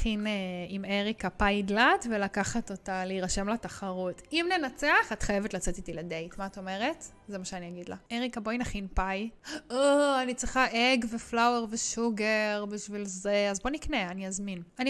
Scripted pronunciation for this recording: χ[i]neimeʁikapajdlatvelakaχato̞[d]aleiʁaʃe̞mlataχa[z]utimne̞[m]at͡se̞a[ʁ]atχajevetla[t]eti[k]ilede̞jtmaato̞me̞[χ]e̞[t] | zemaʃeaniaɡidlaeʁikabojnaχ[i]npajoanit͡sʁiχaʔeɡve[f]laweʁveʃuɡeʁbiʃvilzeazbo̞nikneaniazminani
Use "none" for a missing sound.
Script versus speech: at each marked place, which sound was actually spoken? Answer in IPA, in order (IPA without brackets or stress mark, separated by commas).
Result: i, t, ʁ, n, χ, t͡s, t, ʁ, t, i, f